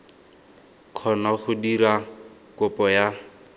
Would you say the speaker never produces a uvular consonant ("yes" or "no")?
no